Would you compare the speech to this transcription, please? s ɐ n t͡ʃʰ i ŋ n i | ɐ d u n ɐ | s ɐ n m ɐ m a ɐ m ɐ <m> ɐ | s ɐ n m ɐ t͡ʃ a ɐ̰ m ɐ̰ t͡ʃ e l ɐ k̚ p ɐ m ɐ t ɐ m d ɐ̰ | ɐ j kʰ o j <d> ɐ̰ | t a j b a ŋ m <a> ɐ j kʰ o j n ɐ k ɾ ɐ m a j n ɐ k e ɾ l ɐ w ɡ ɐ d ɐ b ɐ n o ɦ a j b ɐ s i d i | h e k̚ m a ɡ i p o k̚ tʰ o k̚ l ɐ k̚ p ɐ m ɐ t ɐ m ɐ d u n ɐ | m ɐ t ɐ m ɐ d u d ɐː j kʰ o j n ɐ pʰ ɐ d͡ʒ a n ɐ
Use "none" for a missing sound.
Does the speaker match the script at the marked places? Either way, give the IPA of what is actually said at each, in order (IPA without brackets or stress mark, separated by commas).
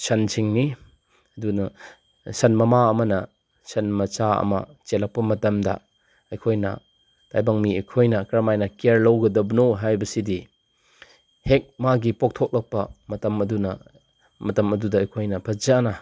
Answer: n, n, i